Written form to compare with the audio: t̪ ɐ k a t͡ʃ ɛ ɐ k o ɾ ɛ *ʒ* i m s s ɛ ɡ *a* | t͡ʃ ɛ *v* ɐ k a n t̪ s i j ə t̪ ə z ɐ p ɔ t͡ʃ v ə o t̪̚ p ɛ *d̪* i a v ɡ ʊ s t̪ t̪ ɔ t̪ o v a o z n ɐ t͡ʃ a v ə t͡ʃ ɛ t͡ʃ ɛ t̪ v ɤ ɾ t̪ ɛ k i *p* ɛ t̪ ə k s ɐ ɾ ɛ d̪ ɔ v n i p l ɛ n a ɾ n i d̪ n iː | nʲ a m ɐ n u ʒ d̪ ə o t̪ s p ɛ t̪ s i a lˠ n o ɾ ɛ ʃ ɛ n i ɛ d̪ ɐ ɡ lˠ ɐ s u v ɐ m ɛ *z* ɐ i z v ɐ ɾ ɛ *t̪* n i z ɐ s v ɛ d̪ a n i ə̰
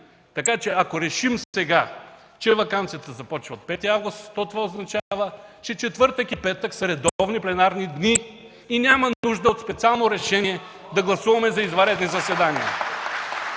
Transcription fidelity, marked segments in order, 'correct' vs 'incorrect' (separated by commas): incorrect, correct, correct, incorrect, correct, correct, incorrect